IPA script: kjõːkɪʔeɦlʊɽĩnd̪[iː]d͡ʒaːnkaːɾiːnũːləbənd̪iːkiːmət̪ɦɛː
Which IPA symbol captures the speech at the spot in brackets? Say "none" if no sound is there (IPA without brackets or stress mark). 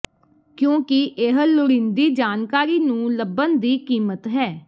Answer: iː